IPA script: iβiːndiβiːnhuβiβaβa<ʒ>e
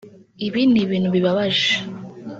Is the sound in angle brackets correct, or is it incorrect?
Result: correct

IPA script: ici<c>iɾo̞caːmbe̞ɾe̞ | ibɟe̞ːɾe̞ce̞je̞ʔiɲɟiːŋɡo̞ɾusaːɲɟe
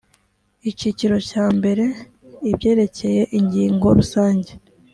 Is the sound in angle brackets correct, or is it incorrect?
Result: correct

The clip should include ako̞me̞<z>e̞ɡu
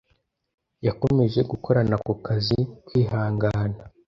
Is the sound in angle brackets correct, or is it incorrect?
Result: incorrect: ʒ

